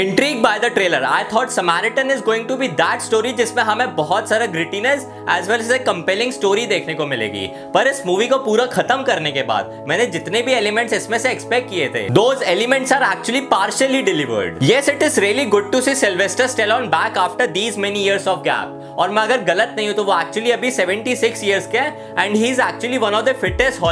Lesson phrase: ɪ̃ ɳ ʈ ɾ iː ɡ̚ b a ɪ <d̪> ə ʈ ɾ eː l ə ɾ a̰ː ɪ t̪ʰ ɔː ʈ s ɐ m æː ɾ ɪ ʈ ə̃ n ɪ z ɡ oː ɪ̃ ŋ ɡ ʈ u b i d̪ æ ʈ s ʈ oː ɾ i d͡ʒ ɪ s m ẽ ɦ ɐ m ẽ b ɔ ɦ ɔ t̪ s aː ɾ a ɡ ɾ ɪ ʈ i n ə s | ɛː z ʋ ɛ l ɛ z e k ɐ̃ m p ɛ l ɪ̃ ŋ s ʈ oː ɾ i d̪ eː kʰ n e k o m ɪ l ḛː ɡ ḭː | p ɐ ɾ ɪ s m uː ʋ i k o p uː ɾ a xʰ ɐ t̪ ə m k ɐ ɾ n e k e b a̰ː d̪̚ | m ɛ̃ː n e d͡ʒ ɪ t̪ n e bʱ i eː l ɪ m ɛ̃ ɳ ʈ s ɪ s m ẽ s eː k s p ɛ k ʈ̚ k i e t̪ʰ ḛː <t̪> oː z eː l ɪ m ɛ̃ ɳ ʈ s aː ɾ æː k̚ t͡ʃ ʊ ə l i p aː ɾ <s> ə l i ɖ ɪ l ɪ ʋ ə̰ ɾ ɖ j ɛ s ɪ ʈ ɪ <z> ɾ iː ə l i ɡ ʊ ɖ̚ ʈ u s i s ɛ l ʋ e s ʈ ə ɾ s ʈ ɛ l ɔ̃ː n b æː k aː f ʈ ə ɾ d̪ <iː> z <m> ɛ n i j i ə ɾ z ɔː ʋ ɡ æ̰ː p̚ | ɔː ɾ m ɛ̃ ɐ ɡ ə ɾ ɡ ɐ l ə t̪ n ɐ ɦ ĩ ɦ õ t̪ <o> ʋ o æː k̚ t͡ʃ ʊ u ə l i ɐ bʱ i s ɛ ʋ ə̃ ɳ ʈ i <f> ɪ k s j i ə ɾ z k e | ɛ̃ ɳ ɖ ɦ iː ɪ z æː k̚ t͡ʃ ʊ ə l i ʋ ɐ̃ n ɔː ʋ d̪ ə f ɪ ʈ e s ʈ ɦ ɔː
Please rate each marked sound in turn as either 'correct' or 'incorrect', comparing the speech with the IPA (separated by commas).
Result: correct, incorrect, incorrect, correct, correct, correct, correct, incorrect